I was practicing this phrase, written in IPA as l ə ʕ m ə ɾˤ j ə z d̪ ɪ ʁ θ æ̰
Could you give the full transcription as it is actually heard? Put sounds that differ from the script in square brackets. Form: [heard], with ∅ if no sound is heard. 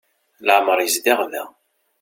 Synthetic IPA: l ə ʕ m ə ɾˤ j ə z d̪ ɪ ʁ [ð] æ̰